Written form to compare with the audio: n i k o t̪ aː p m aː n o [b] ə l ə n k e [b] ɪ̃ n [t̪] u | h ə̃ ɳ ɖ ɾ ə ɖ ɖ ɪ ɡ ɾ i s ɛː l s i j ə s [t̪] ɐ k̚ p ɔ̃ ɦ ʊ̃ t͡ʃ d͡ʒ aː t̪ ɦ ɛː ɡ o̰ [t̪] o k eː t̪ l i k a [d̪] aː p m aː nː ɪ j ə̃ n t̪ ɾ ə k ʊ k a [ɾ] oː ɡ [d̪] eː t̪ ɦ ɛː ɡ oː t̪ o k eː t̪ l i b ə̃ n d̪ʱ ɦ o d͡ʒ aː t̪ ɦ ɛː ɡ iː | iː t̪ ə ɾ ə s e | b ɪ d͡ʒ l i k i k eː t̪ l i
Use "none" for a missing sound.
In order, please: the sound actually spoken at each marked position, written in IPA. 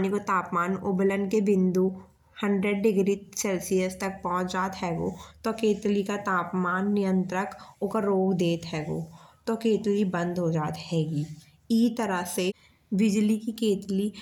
b, b, d̪, t̪, t̪, t̪, ɾ, d̪

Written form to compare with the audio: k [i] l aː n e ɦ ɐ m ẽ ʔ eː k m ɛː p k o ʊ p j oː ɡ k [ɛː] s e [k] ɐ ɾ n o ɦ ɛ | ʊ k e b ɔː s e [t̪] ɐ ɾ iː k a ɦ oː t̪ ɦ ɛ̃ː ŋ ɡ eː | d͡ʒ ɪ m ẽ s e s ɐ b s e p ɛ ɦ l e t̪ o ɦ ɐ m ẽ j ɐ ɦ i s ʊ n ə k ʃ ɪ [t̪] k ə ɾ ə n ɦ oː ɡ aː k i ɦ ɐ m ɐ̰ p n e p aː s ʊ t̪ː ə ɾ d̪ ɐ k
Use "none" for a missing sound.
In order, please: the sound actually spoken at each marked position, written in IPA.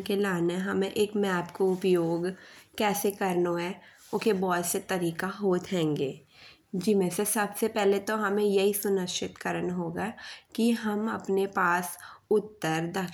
e, ɛː, k, t̪, t̪

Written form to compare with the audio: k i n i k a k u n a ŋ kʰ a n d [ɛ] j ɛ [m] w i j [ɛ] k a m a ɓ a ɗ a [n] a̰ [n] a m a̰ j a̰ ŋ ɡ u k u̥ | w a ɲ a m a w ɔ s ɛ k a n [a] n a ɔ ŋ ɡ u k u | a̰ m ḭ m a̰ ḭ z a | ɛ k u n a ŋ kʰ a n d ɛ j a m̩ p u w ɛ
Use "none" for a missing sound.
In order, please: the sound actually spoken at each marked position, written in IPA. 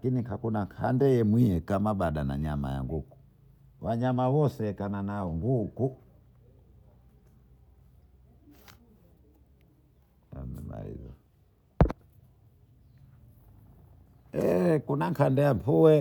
ɛ, m, ɛ, n, ɲ, a

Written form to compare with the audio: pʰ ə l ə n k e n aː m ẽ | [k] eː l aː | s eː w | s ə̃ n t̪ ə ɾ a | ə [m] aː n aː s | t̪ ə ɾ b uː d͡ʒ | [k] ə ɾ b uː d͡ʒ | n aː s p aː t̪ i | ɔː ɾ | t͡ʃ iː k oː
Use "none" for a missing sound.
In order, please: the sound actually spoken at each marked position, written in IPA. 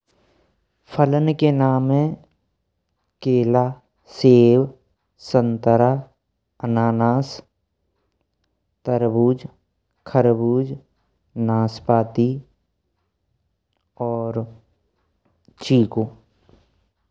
k, n, kʰ

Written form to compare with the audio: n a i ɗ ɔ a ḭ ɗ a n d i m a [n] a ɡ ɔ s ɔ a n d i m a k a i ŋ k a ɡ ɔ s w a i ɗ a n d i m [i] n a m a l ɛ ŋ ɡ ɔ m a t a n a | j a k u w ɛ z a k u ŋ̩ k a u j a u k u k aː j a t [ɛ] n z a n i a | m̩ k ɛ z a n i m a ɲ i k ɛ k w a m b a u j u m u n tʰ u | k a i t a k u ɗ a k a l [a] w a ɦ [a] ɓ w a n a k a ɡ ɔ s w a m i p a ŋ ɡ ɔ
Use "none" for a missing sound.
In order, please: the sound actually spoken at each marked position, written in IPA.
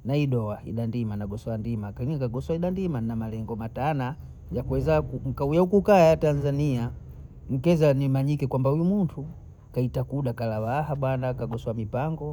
n, a, a, a, a

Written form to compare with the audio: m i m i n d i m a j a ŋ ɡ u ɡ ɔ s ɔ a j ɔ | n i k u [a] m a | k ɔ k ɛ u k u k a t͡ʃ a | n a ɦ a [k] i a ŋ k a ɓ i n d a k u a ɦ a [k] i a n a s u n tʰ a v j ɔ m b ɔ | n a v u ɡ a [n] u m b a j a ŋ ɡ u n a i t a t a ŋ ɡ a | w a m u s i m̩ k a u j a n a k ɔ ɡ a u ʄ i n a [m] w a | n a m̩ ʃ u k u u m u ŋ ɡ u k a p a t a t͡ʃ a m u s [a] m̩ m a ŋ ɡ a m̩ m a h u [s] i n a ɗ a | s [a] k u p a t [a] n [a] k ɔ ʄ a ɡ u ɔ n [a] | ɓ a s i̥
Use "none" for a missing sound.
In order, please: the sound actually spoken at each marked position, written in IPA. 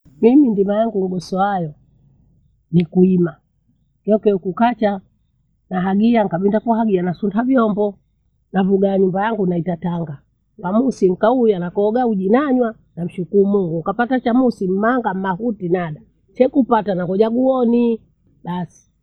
i, ɡ, ɡ, ɲ, ɲ, i, t, ɛ, a, a, i

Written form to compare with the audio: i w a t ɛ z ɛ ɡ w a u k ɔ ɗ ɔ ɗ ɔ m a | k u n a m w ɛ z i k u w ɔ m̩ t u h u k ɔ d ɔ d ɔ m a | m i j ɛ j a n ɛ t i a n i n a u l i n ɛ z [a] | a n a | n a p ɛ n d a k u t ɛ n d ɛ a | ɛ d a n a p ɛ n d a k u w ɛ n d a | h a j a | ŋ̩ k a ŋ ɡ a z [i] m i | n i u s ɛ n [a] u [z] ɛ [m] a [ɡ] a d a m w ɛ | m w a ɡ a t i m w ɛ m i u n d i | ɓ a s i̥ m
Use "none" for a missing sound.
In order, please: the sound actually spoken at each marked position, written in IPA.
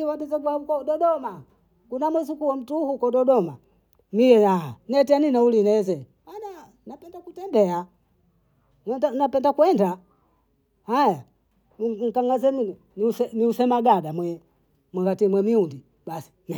ɛ, ɛ, i, s, m, ɡ

